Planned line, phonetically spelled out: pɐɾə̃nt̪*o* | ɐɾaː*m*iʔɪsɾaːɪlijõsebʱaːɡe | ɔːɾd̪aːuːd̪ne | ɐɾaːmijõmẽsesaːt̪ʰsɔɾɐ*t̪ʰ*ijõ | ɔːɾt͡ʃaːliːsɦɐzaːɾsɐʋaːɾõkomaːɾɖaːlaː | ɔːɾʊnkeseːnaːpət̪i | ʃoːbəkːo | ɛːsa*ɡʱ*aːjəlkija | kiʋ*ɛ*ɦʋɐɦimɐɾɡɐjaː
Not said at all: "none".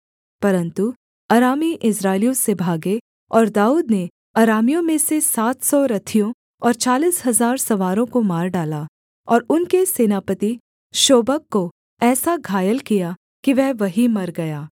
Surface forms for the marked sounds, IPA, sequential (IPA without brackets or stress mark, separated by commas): u, m, t̪ʰ, ɡʱ, ɛ